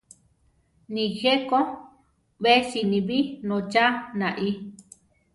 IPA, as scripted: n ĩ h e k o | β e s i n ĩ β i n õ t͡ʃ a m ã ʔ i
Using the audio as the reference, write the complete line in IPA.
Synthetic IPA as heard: n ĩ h e k o | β e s i n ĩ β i n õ t͡ʃ a n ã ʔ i